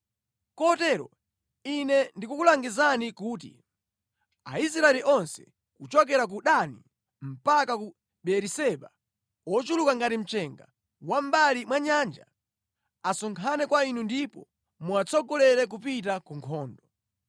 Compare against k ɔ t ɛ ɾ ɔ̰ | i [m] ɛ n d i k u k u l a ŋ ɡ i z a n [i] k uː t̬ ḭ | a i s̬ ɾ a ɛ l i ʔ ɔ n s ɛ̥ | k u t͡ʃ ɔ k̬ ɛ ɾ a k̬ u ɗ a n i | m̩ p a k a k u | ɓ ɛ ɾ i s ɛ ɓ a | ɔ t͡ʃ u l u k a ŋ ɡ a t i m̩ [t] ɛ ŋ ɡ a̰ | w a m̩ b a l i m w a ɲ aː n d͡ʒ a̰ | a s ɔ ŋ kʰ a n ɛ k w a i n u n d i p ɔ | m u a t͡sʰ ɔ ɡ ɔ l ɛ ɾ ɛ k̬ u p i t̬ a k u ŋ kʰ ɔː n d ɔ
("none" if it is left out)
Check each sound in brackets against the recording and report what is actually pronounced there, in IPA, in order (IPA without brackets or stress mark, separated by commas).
n, i, t͡ʃ